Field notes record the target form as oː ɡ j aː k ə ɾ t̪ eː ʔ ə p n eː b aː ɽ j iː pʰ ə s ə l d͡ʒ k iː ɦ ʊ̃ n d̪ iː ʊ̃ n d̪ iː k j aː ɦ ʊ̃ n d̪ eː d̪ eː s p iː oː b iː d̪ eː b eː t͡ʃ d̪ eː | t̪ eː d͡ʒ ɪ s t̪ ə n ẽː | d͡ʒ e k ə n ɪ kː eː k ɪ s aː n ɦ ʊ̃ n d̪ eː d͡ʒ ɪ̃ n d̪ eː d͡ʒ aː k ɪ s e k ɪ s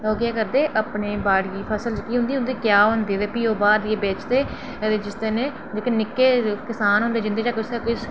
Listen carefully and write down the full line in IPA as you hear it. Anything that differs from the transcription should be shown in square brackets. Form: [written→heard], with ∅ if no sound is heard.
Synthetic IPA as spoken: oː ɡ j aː k ə ɾ [t̪→d̪] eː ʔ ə p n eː b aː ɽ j iː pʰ ə s ə l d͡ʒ k iː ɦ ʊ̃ n d̪ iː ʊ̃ n d̪ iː k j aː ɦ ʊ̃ n d̪ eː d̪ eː [s→∅] p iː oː b [iː→aː] d̪ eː b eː t͡ʃ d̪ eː | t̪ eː d͡ʒ ɪ s t̪ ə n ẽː | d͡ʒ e k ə n ɪ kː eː k ɪ s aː n ɦ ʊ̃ n d̪ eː d͡ʒ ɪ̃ n d̪ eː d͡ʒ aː k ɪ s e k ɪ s